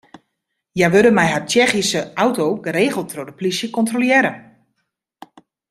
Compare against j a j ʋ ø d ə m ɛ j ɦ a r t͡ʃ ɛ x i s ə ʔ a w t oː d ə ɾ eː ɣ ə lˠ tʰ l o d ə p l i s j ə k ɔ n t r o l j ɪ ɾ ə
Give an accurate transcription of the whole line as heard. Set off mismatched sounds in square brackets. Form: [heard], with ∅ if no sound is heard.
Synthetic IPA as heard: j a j ʋ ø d ə m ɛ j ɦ a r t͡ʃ ɛ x i s ə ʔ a w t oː [ɡ] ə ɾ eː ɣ ə lˠ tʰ [r] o d ə p l i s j ə k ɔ n t r o l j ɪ ɾ ə

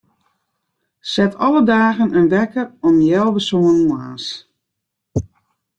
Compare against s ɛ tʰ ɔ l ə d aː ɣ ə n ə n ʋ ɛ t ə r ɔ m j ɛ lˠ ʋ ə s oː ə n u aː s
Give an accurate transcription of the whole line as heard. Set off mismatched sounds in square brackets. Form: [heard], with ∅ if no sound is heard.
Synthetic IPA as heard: s ɛ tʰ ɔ l ə d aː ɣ ə n ə n ʋ ɛ [k] ə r ɔ m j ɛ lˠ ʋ ə s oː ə n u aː s

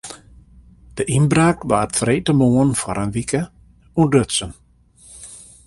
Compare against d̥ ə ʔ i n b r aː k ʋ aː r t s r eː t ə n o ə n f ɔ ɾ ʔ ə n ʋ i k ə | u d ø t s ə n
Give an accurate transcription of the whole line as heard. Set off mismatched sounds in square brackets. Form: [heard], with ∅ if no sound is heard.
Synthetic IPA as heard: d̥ ə ʔ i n b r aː k ʋ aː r t [f] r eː t ə [m] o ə n f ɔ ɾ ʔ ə n ʋ i k ə | u d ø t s ə n

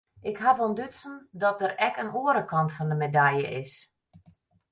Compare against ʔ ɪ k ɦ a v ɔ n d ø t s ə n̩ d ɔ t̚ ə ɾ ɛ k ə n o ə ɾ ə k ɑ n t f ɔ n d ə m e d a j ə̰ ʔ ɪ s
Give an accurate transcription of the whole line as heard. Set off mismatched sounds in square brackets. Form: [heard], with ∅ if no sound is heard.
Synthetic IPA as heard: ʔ ɪ k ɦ a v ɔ n d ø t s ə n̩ d ɔ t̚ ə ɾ ɛ k ə n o ə ɾ ə k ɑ n t f ɔ n d ə m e d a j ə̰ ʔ ɪ s

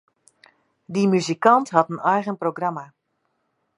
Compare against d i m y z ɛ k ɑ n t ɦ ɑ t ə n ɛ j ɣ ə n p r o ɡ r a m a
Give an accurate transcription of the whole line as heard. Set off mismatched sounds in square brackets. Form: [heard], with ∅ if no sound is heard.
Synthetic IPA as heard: d i m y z [i] k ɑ n t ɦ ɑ t ə n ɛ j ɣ ə n p r o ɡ r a m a

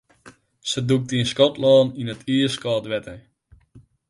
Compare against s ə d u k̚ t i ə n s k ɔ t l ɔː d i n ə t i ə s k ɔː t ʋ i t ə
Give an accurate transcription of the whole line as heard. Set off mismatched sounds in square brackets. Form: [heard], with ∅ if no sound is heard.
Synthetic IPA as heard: s ə d u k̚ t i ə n s k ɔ t l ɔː [n] i n ə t i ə s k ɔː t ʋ [ɛ] t ə

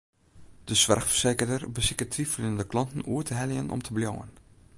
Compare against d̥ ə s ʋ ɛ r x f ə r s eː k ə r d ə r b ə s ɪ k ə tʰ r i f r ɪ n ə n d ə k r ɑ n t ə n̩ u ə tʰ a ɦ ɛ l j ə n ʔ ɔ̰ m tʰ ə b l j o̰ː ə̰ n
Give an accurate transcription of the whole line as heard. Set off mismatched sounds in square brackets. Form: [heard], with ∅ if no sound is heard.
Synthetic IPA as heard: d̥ ə s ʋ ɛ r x f ə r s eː k ə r d ə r b ə s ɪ k ə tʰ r i f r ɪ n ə n d ə k [l] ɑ n t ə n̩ u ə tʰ [ə] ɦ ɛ l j ə n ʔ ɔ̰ m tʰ ə b l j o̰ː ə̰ n

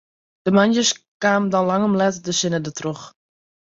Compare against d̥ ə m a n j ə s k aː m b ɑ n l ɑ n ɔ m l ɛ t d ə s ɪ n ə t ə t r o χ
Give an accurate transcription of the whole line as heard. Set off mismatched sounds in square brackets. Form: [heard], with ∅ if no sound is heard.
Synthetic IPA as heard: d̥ ə m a n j ə s k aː m [d] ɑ n l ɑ [ŋ] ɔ m l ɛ t d ə s ɪ n ə [d] ə t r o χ

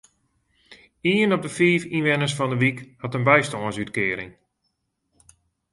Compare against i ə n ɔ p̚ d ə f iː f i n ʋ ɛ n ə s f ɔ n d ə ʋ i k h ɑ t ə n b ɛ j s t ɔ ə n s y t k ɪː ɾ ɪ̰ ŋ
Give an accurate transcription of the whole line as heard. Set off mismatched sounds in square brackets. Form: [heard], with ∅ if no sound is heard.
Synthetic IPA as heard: i ə n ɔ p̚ d ə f iː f i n ʋ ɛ n ə s f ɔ n d ə ʋ i k h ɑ t ə n b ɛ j s t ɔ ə n s y t k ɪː ɾ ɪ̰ ŋ

